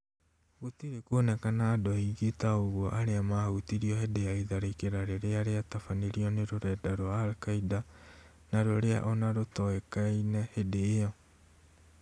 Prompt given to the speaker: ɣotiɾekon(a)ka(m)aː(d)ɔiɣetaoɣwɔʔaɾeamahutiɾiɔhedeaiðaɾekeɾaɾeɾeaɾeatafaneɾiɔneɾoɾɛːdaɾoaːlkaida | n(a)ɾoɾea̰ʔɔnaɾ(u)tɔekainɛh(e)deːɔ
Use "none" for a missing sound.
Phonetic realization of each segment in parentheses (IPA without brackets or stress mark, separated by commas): ɛ, n, d, a, o, e